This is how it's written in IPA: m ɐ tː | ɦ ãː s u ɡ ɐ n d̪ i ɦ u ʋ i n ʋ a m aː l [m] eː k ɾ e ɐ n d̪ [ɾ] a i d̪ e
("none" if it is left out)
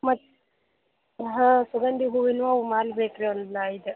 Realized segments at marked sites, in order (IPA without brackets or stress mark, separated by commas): b, l